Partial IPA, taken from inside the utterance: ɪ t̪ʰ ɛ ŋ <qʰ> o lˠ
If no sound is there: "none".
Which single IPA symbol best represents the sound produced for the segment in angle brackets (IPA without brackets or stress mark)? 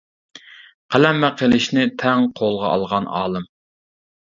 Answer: qʰ